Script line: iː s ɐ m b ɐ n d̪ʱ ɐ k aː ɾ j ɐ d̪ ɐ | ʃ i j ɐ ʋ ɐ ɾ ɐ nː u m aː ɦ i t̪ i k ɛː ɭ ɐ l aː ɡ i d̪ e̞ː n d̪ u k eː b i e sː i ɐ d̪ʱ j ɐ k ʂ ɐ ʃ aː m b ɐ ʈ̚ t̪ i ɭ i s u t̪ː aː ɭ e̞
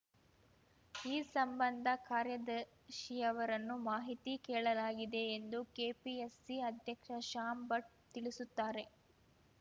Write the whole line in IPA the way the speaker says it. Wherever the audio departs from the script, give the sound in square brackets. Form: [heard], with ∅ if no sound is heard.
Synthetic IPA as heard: iː s ɐ m b ɐ n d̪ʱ ɐ k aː ɾ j ɐ d̪ ɐ | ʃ i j ɐ ʋ ɐ ɾ ɐ nː u m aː ɦ i t̪ i k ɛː ɭ ɐ l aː ɡ i d̪ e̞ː n d̪ u k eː [p] i e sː i ɐ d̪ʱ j ɐ k ʂ ɐ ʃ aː m b ɐ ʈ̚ t̪ i ɭ i s u t̪ː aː [ɾ] e̞